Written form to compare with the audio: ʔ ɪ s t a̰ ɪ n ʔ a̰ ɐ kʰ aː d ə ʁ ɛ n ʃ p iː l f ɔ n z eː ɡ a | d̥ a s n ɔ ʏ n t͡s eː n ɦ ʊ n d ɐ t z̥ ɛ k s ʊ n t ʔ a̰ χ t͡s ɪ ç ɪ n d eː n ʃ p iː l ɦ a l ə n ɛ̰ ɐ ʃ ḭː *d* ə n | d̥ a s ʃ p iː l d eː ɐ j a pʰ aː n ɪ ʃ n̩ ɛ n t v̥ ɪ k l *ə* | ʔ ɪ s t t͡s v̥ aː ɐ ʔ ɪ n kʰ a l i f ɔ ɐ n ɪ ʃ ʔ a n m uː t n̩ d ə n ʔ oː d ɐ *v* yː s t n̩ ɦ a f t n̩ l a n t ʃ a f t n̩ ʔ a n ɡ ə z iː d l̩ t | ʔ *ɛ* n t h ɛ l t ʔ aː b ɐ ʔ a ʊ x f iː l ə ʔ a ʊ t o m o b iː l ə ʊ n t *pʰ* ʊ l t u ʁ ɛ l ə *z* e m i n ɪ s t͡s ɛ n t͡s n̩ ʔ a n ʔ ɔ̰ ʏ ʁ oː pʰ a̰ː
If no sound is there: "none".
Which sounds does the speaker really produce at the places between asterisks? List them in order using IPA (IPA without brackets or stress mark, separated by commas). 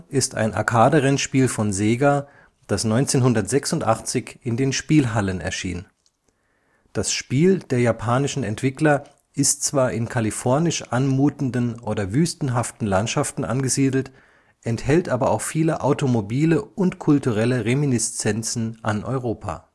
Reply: n, ɐ, v, ɛ, kʰ, ʁ